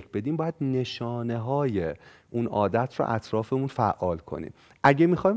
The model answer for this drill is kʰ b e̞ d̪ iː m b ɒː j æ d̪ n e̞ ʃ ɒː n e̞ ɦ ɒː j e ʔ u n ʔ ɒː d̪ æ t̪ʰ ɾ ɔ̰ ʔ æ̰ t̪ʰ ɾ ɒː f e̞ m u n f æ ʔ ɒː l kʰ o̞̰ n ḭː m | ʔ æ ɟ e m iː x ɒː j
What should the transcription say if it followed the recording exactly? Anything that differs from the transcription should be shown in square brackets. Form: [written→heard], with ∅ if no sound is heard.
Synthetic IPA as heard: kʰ b e̞ d̪ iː m b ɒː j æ d̪ n e̞ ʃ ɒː n e̞ ɦ ɒː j e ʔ u n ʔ ɒː d̪ æ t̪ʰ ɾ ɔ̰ ʔ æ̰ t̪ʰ ɾ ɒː f e̞ m u n f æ ʔ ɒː l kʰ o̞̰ n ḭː m | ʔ æ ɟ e m [iː→i] x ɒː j